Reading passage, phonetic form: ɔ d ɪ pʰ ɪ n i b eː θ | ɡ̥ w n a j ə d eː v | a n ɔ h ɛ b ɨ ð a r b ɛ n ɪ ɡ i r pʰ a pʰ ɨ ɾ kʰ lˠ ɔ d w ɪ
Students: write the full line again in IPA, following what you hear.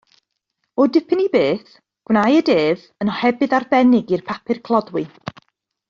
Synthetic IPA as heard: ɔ d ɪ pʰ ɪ n i b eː θ | ɡ̥ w n a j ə d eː v | ə n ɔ h ɛ b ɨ ð a r b ɛ n ɪ ɡ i r pʰ a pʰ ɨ r kʰ lˠ ɔ d w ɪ